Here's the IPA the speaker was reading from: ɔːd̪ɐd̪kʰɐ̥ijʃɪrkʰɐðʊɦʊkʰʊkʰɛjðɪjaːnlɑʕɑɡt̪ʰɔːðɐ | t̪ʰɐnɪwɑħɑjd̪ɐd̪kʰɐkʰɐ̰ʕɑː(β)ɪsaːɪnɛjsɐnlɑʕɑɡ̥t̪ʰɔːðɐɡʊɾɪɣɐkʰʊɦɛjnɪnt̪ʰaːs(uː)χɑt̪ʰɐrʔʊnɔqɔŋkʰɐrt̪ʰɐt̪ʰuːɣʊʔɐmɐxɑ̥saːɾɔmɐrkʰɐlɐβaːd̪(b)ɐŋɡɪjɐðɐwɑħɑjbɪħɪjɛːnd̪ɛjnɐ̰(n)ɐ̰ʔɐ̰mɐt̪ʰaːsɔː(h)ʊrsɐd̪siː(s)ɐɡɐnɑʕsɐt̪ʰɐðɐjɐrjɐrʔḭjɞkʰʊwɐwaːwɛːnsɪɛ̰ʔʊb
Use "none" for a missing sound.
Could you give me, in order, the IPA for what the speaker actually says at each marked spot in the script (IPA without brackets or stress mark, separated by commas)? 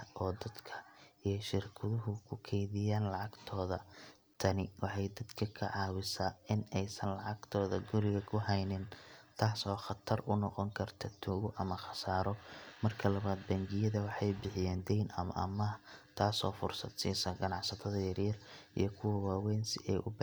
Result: w, ɔː, b, m, f, s